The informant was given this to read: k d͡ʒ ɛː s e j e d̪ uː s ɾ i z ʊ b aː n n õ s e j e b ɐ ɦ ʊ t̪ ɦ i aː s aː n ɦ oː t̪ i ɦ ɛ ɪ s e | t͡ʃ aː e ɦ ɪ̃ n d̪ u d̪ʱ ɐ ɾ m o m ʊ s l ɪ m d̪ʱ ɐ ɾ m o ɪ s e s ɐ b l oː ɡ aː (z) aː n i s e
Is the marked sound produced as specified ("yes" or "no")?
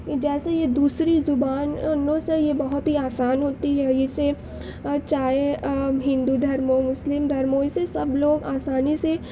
no